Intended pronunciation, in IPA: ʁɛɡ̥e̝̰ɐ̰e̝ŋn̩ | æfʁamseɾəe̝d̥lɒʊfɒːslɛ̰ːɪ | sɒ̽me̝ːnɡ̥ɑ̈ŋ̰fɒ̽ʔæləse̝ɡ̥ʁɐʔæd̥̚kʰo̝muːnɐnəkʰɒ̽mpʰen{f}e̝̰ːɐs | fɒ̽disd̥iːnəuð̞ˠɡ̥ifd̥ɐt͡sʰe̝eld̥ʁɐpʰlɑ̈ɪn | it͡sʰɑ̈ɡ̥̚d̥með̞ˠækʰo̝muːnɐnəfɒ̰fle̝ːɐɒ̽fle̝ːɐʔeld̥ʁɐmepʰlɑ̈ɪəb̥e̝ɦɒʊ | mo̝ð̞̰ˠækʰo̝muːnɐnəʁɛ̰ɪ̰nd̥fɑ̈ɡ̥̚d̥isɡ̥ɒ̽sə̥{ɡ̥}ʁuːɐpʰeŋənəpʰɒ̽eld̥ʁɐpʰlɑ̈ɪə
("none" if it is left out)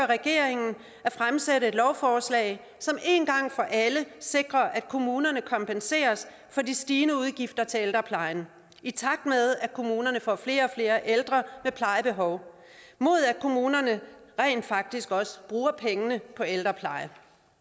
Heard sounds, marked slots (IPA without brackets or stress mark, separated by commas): s, b̥